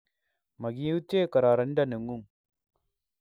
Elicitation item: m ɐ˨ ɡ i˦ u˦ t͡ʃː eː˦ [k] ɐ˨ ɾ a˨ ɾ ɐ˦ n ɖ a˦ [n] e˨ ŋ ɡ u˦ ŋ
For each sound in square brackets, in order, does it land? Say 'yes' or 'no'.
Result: yes, yes

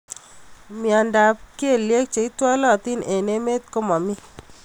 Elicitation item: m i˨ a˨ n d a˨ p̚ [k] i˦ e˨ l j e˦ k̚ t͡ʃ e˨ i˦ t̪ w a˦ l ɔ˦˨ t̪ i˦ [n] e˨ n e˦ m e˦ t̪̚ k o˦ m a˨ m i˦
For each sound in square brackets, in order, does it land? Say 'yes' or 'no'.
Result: yes, yes

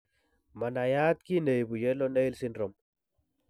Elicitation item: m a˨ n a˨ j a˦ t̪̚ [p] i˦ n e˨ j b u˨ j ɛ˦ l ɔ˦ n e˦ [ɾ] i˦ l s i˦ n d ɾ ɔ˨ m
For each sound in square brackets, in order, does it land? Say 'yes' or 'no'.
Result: no, no

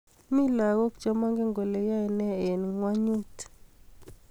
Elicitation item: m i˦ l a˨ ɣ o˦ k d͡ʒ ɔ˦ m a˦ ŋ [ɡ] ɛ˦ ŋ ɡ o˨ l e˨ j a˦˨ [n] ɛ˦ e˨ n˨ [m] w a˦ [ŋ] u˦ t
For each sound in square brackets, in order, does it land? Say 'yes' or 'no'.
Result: yes, yes, no, no

